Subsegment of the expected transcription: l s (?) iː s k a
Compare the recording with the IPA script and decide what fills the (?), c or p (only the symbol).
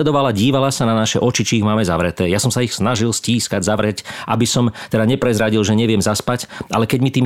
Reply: c